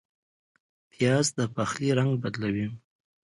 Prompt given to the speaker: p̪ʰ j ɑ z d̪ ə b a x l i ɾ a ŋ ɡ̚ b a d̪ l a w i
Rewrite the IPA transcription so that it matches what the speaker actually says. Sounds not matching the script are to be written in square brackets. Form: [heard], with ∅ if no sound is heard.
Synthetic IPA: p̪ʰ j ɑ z d̪ ə [p] a x l i ɾ a ŋ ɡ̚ b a d̪ l a w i